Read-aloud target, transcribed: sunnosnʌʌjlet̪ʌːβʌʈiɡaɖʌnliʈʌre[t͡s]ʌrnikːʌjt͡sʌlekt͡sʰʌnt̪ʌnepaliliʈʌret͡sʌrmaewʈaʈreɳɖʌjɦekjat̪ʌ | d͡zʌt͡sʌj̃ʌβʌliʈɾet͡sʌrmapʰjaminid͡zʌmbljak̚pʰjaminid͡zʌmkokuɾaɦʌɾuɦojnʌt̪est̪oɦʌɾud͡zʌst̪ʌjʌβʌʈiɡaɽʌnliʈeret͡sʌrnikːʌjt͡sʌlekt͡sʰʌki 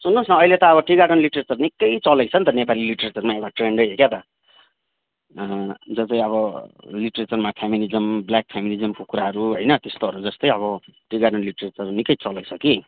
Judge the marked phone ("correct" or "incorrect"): correct